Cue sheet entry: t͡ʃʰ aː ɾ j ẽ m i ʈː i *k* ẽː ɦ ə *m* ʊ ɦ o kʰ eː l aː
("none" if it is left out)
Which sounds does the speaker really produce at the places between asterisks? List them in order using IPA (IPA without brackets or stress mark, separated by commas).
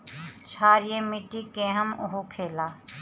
k, m